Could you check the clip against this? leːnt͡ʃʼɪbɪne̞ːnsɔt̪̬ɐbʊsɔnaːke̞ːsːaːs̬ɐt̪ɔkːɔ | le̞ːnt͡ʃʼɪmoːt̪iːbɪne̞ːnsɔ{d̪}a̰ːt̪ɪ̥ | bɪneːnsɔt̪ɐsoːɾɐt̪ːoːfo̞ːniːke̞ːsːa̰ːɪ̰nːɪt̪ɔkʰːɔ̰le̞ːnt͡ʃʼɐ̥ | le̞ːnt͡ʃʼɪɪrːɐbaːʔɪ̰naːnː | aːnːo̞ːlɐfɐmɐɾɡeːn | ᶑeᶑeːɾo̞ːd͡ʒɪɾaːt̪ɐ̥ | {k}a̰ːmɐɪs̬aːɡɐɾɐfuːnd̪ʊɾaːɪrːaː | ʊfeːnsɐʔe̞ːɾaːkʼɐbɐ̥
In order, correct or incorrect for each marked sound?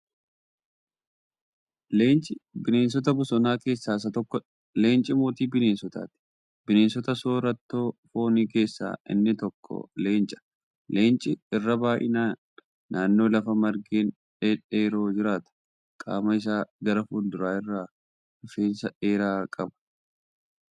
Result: incorrect, incorrect

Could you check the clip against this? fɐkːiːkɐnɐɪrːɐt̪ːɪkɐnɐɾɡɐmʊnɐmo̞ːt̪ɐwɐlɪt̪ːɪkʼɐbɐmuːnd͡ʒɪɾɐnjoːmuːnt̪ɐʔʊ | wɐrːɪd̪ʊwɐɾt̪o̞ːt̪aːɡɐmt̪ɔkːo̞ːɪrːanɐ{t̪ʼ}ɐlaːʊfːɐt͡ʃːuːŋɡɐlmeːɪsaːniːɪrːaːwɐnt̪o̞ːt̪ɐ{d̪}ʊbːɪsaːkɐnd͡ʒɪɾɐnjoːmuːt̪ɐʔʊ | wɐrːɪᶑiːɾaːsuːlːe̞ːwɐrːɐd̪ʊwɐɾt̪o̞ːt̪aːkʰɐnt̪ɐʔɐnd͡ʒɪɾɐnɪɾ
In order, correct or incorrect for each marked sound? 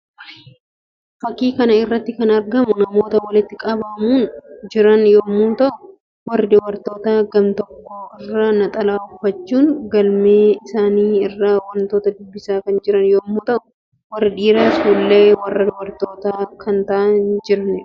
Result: correct, correct

